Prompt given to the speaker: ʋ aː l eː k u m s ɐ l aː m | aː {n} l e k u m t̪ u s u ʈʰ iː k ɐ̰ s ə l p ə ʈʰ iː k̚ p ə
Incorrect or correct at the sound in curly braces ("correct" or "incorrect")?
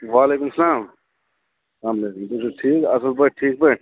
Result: incorrect